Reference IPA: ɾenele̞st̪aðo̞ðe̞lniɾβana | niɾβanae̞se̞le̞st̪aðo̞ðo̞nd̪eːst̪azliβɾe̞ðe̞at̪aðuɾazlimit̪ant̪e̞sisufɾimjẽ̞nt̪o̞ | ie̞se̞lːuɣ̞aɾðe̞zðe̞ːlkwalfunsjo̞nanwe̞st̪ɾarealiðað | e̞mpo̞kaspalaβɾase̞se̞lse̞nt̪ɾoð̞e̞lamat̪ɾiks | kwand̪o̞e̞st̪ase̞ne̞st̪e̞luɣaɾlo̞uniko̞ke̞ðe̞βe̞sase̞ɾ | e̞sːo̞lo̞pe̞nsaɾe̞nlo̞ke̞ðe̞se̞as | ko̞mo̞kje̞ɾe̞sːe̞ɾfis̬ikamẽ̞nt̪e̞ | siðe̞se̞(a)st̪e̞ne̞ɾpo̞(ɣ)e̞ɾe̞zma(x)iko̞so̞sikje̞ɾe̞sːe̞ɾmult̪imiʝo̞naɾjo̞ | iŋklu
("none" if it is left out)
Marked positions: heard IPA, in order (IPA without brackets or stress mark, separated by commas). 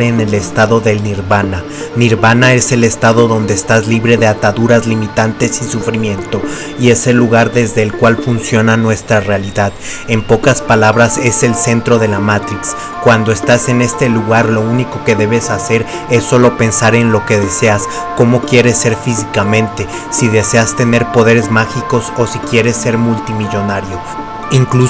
a, ð, x